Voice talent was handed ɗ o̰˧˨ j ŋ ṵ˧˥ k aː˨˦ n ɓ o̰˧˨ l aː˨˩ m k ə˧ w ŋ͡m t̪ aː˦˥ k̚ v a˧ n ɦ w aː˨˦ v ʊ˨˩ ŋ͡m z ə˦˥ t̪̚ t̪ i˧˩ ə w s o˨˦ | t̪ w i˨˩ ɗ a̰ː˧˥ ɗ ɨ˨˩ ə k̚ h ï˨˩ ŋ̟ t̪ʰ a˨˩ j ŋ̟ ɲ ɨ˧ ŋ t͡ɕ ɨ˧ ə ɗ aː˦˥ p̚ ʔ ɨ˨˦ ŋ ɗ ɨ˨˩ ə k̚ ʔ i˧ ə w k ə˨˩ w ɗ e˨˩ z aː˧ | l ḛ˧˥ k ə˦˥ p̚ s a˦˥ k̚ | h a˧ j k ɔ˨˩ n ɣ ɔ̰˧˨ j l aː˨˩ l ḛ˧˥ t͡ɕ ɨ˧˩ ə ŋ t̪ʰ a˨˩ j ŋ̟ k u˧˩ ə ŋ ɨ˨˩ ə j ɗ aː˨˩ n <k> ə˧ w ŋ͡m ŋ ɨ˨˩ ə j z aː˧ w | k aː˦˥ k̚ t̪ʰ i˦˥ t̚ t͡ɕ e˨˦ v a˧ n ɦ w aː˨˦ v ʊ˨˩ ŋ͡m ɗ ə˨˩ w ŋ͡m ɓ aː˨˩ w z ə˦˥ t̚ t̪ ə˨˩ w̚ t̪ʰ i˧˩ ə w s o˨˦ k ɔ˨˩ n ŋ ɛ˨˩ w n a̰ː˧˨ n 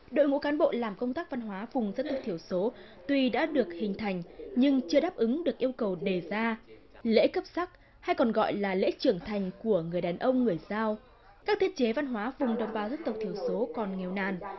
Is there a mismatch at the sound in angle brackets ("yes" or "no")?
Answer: yes